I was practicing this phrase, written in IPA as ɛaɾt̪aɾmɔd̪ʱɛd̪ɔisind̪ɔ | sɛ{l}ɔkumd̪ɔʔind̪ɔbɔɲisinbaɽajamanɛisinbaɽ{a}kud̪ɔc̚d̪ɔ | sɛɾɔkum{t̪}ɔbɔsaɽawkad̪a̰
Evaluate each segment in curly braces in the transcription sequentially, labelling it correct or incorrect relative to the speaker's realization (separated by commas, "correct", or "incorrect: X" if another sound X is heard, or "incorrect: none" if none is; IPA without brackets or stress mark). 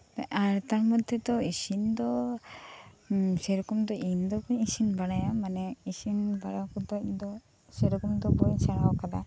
incorrect: ɾ, correct, incorrect: d̪